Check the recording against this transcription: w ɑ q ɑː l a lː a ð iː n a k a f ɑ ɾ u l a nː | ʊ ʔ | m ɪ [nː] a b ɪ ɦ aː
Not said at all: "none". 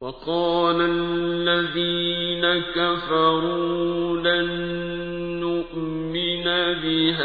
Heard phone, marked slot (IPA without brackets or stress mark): n